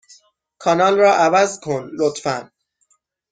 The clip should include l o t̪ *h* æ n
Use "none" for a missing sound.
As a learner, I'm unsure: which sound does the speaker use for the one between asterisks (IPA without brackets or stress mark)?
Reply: f